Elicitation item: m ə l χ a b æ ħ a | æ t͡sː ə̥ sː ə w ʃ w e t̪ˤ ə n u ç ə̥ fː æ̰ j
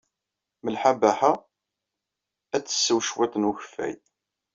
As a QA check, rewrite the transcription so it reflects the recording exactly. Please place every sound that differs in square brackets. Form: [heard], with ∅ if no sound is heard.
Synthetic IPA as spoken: m ə l [ħ] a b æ ħ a | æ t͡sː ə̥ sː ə w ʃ w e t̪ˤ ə n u ç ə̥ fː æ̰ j